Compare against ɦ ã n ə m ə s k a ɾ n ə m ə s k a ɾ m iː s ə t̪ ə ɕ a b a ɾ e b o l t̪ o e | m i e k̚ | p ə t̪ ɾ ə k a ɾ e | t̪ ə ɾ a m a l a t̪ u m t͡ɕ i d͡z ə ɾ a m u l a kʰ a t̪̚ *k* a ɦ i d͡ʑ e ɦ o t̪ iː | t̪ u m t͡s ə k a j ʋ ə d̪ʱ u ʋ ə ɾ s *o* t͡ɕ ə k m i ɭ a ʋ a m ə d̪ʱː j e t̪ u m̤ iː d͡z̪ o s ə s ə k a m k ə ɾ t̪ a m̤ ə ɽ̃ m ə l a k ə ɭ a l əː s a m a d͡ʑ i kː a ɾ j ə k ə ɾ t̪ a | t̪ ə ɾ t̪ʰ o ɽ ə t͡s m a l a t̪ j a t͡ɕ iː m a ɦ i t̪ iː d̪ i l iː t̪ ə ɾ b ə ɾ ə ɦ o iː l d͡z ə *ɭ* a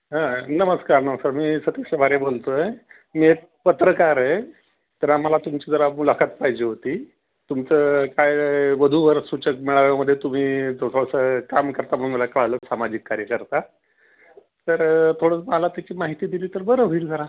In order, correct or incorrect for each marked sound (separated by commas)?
incorrect, incorrect, incorrect